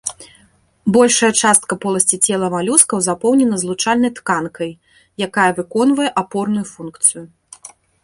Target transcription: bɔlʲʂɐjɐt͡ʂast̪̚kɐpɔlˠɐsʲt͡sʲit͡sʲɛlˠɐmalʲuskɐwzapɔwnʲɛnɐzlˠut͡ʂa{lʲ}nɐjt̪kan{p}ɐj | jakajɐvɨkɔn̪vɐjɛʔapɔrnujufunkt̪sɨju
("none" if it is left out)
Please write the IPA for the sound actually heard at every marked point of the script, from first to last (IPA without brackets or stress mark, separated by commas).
lʲ, k